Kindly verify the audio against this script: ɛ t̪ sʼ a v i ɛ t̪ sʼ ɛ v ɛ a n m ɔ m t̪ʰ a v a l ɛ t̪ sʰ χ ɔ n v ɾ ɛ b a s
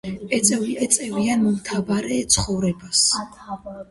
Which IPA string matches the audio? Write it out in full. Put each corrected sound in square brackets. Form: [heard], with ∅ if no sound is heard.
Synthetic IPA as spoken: ɛ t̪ sʼ [ɛ] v i ɛ t̪ sʼ ɛ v [i] a n m ɔ m t̪ʰ a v a [ɾ] ɛ t̪ sʰ χ ɔ [∅] v ɾ ɛ b a s